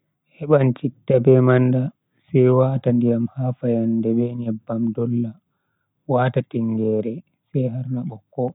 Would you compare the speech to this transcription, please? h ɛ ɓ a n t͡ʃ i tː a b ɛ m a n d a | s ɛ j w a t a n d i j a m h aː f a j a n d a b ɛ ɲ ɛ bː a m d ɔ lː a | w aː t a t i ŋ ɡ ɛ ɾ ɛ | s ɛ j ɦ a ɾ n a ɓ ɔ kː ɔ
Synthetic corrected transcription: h ɛ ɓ a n t͡ʃ i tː a b ɛ m a n d a | s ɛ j w a t a n d i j a m h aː f a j a n d ɛ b ɛ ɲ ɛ bː a m d ɔ lː a | w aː t a t i ŋ ɡ ɛ ɾ ɛ | s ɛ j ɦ a ɾ n a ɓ ɔ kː ɔ